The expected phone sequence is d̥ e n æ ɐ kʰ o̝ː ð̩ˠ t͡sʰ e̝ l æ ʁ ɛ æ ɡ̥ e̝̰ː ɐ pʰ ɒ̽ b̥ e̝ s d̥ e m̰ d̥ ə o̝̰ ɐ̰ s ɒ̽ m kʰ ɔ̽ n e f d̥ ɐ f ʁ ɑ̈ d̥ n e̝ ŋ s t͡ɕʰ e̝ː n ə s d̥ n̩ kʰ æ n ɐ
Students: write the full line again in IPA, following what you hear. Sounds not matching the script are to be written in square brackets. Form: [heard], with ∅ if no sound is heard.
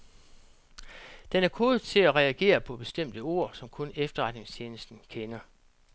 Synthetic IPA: d̥ e n æ ɐ kʰ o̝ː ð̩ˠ t͡sʰ e̝ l æ ʁ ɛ æ ɡ̥ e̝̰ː ɐ pʰ ɒ̽ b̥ e̝ s d̥ e m̰ d̥ ə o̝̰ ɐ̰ s ɒ̽ m kʰ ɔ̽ n e f d̥ ɐ [∅] ʁ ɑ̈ d̥ n e̝ ŋ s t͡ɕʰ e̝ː n ə s d̥ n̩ kʰ [e] n ɐ

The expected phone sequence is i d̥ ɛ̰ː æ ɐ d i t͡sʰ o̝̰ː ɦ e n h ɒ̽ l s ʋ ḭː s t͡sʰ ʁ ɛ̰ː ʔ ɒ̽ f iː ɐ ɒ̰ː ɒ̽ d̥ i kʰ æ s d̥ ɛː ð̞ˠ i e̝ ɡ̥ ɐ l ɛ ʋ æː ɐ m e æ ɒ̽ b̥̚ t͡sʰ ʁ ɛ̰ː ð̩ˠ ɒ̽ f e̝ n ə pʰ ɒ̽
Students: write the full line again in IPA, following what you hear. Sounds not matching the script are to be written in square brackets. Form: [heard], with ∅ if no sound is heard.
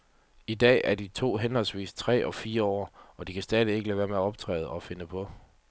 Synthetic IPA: i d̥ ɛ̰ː æ ɐ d i t͡sʰ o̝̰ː ɦ e n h ɒ̽ l s ʋ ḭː s t͡sʰ ʁ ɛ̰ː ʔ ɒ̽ f iː ɐ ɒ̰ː ɒ̽ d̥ i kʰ æ s d̥ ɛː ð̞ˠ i e̝ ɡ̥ [ə] l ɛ ʋ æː ɐ m e æ ɒ̽ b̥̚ t͡sʰ ʁ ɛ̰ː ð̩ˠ ɒ̽ f e̝ n ə pʰ ɒ̽

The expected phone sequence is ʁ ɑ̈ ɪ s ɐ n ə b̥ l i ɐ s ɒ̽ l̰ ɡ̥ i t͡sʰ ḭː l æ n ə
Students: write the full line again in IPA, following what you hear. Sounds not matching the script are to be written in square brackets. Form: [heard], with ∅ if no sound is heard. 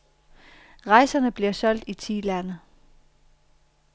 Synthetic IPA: ʁ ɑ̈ ɪ s ɐ n ə b̥ l i ɐ s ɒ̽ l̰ [d̥] i t͡sʰ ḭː l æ n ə

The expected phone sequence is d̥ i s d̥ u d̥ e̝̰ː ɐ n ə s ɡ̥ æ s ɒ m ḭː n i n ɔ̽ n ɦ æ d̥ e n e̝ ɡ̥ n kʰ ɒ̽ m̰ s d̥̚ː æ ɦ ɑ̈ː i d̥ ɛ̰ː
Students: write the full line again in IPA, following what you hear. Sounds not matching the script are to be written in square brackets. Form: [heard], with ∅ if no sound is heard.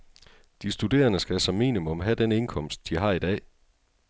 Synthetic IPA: d̥ i s d̥ u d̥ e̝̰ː ɐ n ə s ɡ̥ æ s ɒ m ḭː n i [m] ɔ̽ [m] ɦ æ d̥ e n e̝ [∅] n kʰ ɒ̽ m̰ s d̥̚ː [i] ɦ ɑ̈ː i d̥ ɛ̰ː

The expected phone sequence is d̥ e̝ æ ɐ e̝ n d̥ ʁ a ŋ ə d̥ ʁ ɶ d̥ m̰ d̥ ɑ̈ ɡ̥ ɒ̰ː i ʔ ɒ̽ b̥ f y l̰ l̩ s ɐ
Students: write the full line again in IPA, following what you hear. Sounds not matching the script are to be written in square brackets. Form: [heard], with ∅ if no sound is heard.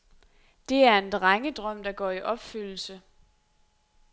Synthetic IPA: d̥ e̝ æ ɐ e̝ n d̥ ʁ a ŋ ə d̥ ʁ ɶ [∅] m̰ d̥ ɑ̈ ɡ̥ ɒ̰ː i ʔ ɒ̽ b̥ f y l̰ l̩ s [ə]

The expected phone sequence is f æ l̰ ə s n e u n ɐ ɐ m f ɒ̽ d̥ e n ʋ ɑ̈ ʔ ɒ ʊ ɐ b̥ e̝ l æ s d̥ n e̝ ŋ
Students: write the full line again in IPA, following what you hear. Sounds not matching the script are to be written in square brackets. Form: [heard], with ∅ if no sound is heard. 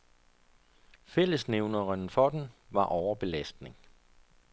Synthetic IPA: f [e] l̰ ə s n e [ʊ] n ɐ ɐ [n] f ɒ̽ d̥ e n ʋ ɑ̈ ʔ ɒ ʊ ɐ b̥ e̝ l æ s d̥ n e̝ ŋ

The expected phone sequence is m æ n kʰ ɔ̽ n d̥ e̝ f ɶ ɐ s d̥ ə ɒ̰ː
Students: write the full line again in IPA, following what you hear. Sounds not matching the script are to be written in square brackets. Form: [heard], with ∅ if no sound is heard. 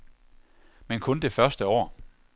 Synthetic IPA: m [e] n kʰ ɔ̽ n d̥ e̝ f ɶ ɐ s d̥ ə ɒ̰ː

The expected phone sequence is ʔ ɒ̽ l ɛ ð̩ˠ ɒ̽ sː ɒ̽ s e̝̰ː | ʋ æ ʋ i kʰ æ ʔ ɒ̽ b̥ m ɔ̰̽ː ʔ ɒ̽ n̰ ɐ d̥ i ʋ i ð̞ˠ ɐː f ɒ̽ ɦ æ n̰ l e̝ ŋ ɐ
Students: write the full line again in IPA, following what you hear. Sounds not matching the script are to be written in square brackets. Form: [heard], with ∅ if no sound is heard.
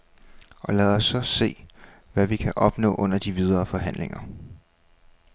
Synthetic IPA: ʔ ɒ̽ l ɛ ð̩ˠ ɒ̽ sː ɒ̽ s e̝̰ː | ʋ æ ʋ i kʰ æ ʔ ɒ̽ b̥ [n] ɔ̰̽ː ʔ [ɔ̽] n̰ ɐ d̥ i ʋ i ð̞ˠ ɐː f ɒ̽ ɦ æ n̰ l e̝ ŋ ɐ

